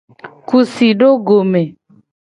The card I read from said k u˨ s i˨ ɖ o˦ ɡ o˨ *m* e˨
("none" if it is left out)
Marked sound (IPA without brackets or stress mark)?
m